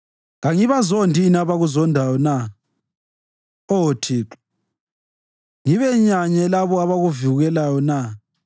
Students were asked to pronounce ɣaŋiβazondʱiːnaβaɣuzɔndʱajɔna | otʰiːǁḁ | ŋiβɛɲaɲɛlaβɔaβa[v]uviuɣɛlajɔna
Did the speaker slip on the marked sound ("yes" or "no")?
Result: yes